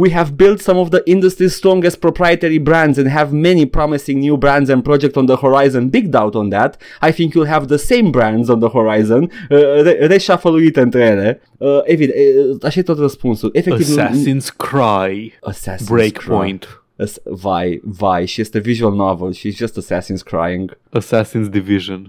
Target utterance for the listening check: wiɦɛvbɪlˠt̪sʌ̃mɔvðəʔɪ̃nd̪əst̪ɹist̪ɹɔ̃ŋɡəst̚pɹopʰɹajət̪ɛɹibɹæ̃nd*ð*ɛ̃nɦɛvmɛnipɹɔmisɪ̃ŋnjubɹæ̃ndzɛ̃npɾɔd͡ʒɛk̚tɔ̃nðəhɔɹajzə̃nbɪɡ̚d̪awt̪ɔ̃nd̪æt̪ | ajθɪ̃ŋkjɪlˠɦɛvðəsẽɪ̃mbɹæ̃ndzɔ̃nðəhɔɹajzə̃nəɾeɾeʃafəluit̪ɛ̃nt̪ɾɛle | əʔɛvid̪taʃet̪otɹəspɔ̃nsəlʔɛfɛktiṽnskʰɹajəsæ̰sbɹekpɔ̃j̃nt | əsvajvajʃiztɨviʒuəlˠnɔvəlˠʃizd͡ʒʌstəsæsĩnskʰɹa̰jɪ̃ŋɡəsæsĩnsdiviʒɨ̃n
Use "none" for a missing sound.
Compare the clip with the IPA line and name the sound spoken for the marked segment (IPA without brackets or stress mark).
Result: z